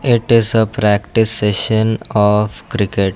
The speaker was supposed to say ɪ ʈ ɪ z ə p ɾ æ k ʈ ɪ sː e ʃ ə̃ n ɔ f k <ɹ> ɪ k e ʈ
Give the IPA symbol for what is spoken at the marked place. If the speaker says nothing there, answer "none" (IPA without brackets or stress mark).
ɾ